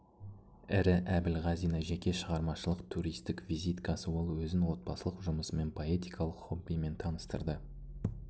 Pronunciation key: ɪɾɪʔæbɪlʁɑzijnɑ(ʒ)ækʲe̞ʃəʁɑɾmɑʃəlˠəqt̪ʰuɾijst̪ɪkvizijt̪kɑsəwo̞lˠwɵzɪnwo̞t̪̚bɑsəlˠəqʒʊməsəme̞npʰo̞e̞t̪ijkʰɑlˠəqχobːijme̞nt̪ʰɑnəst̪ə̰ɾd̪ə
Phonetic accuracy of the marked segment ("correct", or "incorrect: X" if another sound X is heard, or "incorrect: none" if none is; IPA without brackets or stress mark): correct